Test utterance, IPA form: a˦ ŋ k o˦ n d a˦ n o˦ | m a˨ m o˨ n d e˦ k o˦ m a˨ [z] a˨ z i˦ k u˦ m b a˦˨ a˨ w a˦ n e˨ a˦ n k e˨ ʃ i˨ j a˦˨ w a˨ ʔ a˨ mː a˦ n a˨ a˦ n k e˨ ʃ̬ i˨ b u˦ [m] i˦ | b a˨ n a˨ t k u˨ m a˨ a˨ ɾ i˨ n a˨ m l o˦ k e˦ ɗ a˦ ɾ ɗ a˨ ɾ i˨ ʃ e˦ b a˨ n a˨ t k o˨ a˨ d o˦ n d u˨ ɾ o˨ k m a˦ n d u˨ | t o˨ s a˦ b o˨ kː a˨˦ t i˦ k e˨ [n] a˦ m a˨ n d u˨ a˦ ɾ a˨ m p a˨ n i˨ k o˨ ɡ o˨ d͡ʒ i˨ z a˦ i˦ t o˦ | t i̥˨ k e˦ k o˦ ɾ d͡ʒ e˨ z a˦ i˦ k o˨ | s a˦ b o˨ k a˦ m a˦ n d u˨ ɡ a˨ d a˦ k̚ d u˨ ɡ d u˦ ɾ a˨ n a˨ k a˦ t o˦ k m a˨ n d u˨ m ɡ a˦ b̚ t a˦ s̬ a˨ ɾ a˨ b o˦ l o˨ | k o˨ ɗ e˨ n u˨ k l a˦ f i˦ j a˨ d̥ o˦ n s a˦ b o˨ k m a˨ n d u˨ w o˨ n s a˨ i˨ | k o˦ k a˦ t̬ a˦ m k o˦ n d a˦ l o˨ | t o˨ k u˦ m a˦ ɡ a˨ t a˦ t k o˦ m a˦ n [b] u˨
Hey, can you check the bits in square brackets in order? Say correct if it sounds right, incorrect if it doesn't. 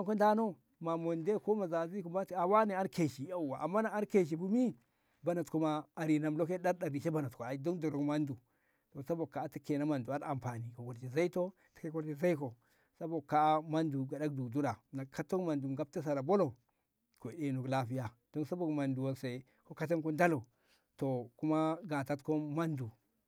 correct, correct, correct, incorrect

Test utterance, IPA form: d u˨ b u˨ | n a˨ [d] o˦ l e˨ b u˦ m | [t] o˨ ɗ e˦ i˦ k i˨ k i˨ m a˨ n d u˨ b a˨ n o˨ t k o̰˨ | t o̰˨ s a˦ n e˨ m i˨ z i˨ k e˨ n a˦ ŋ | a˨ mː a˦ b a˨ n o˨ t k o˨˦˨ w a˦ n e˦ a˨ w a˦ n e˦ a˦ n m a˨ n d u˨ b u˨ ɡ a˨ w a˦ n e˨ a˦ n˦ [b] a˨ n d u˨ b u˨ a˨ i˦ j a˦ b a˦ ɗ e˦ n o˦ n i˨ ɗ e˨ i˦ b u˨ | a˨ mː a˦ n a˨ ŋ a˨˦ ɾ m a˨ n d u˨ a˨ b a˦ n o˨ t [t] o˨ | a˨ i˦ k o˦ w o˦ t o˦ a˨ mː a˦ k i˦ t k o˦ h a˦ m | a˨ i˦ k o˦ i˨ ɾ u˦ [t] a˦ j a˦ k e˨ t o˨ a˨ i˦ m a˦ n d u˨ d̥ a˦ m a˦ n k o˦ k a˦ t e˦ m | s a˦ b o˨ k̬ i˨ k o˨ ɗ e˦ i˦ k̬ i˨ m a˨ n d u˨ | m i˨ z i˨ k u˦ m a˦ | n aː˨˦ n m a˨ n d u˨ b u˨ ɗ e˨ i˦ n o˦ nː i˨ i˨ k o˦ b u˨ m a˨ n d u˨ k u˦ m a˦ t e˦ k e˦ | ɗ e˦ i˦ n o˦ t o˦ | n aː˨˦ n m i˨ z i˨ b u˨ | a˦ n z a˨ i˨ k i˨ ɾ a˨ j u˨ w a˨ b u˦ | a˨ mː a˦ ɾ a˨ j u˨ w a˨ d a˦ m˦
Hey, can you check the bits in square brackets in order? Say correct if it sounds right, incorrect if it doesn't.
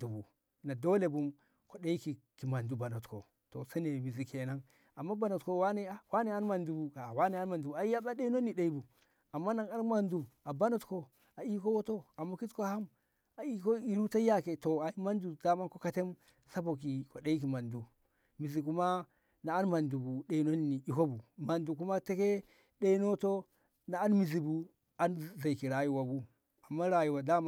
correct, incorrect, incorrect, incorrect, correct

